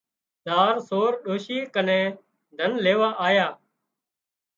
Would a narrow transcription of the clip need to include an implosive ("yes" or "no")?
yes